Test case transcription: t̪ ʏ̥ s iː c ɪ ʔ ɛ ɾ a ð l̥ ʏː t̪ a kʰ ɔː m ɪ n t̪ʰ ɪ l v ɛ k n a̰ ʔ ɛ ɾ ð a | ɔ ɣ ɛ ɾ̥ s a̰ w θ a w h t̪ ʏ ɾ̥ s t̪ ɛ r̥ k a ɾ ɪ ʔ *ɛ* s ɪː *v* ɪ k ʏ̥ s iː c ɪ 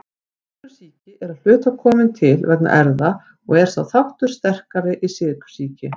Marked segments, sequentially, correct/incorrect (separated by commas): incorrect, incorrect